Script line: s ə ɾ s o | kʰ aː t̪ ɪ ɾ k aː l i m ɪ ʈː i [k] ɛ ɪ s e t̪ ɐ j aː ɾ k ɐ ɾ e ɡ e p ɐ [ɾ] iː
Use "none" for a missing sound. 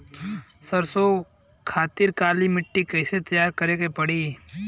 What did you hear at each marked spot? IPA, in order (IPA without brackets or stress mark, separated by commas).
k, ɽ